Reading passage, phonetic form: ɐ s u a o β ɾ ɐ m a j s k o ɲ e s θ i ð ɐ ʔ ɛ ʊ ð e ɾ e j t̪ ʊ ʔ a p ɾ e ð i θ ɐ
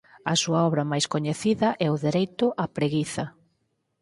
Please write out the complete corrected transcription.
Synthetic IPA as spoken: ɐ s u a ɔ β ɾ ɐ m a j s k o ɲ e θ i ð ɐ ʔ ɛ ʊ ð e ɾ e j t̪ ʊ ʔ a p ɾ e ɣ i θ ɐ